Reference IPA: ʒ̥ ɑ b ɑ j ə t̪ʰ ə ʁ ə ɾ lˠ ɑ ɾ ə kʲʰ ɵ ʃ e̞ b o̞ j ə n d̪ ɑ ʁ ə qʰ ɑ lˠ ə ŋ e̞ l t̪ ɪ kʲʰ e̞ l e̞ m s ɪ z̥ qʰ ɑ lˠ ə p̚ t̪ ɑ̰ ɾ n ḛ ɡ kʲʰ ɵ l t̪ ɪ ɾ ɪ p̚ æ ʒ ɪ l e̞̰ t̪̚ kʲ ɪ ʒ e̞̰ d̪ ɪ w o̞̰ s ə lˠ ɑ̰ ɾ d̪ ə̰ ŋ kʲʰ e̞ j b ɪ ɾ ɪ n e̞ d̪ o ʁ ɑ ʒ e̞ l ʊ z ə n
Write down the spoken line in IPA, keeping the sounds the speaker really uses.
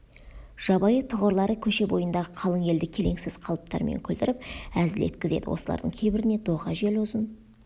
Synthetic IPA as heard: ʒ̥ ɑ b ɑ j ə t̪ʰ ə ʁ ə ɾ lˠ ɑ ɾ ə kʲʰ ɵ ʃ e̞ b o̞ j ə n d̪ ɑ ʁ ə qʰ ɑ lˠ ə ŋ e̞ l d̪ ɪ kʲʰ e̞ l e̞ ŋ s ɪ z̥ qʰ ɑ lˠ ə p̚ t̪ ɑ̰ ɾ m ḛ ŋ kʲʰ ɵ l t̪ ɪ ɾ ɪ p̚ æ z ɪ l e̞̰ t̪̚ kʲ ɪ z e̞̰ d̪ ɪ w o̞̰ s ə lˠ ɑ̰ ɾ d̪ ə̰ ŋ kʲʰ e̞ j b ɪ ɾ ɪ n e̞ d̪ o ʁ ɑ ʒ e̞ l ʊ z ə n